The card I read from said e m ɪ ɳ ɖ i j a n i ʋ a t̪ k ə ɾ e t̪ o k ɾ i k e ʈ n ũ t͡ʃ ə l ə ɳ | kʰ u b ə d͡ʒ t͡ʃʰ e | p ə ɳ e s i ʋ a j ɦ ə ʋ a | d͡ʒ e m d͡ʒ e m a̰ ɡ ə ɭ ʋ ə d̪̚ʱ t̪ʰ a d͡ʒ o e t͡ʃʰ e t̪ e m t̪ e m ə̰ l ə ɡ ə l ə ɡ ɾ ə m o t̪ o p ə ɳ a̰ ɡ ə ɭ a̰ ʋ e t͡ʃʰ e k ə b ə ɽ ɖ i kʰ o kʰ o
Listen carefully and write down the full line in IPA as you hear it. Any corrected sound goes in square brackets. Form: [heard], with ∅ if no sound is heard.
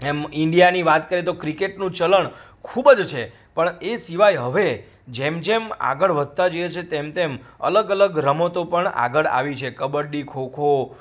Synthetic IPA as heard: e m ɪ ɳ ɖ i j a n i ʋ a t̪ k ə ɾ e t̪ o k ɾ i k e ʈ n ũ t͡ʃ ə l ə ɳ | kʰ u b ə d͡ʒ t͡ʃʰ e | p ə ɳ e s i ʋ a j ɦ ə ʋ [e] | d͡ʒ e m d͡ʒ e m a̰ ɡ ə ɭ ʋ ə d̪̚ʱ [t̪] a d͡ʒ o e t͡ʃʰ e t̪ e m t̪ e m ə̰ l ə ɡ ə l ə ɡ ɾ ə m o t̪ o p ə ɳ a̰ ɡ ə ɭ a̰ ʋ [i] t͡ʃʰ e k ə b ə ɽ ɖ i kʰ o kʰ o

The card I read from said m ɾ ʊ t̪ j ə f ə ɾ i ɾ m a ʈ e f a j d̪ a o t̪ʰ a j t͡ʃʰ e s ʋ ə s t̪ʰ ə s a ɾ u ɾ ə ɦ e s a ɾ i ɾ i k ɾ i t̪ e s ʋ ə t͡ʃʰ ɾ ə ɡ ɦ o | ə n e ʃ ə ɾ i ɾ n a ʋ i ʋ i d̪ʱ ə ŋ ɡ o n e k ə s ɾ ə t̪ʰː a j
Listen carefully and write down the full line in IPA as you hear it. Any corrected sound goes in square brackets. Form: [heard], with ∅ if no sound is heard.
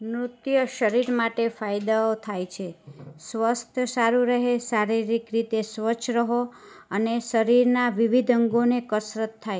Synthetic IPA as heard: m ɾ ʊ t̪ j ə [ʃ] ə ɾ i ɾ m a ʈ e f a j d̪ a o t̪ʰ a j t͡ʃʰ e s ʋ ə s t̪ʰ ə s a ɾ u ɾ ə ɦ e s a ɾ i ɾ i k ɾ i t̪ e s ʋ ə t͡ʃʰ ɾ ə [∅] ɦ o | ə n e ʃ ə ɾ i ɾ n a ʋ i ʋ i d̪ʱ ə ŋ ɡ o n e k ə s ɾ ə t̪ʰː a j

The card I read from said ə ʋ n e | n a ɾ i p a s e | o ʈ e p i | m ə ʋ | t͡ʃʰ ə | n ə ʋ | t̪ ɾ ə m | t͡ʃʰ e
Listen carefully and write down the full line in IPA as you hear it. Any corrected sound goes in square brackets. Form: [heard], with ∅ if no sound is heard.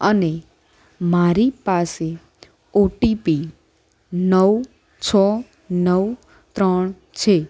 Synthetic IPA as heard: ə [∅] n e | [m] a ɾ i p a s e | o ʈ [i] p i | [n] ə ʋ | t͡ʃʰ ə | n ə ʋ | t̪ ɾ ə [ɳ] | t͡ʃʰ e

